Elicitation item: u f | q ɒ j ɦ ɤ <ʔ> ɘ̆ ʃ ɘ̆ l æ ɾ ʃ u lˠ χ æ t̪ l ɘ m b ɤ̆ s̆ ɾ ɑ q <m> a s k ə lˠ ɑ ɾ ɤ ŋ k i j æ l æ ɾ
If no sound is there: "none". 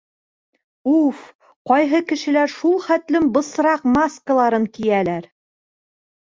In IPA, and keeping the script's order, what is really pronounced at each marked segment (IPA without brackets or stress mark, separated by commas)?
k, m